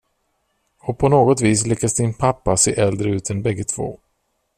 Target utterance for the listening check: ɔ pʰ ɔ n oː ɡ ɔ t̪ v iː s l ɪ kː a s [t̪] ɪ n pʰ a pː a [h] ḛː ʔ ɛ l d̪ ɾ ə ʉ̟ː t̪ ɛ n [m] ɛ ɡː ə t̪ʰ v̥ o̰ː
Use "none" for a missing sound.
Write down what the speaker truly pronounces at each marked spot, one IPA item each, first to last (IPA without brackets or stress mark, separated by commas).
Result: d̪, s, b